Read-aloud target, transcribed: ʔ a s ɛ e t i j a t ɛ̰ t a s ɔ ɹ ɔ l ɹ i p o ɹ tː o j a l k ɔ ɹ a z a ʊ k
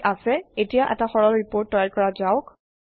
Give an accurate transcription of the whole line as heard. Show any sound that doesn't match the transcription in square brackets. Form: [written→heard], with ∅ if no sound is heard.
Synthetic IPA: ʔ a s ɛ e t i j a [t→ʔ] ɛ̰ t a [s→x] ɔ ɹ ɔ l ɹ i p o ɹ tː [o→ɔ] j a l k ɔ ɹ a z a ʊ k